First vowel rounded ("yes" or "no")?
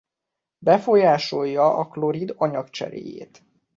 no